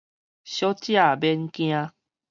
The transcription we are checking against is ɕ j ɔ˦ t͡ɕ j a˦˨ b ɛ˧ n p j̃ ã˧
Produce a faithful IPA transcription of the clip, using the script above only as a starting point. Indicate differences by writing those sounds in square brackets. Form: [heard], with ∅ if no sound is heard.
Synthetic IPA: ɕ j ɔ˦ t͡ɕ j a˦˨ b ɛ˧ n [k] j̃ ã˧